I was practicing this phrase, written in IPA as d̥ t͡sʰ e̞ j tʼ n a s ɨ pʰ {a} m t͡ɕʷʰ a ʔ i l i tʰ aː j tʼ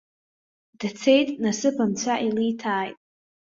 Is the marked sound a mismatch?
no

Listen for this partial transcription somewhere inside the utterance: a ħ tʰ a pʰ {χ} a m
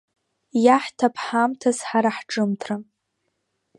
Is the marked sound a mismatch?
yes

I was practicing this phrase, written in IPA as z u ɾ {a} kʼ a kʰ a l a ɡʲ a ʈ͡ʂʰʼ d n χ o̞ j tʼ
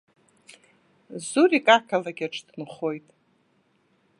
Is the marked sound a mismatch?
yes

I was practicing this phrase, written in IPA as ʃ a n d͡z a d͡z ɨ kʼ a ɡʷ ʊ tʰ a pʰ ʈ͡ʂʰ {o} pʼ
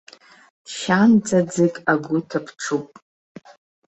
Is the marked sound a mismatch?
yes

